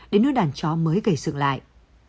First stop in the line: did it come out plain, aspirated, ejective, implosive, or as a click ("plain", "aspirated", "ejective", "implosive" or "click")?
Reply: implosive